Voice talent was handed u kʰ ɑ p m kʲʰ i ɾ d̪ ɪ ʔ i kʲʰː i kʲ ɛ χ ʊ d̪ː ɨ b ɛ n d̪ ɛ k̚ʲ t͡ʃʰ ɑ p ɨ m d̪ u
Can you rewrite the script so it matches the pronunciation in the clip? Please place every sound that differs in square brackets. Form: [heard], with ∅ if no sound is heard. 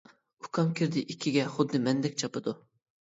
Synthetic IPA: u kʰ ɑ [∅] m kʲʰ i ɾ d̪ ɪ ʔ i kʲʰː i [ɡʲ] ɛ χ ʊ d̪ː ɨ [m] ɛ n d̪ ɛ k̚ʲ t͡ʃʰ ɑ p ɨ [∅] d̪ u